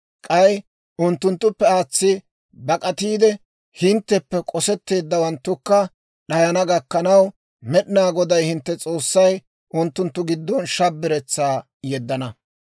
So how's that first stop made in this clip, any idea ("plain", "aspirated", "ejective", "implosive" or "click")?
ejective